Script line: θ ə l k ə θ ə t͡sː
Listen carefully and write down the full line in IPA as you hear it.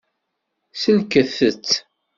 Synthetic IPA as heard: s ə l k ə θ ə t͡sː